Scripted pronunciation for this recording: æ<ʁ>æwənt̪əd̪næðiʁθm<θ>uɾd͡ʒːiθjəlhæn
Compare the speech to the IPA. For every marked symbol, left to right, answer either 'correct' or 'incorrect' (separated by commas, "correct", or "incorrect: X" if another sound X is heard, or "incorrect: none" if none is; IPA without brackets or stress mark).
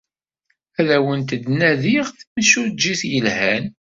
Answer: incorrect: ð, incorrect: ʃ